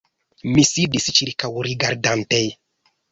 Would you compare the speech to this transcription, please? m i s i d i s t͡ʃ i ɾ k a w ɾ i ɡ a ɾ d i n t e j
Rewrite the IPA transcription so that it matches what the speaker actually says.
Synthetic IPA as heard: m i s i d i s t͡ʃ i ɾ k a w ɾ i ɡ a ɾ d a n t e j